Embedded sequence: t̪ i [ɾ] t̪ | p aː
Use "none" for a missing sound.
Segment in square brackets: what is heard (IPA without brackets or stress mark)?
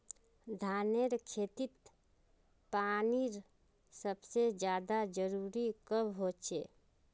none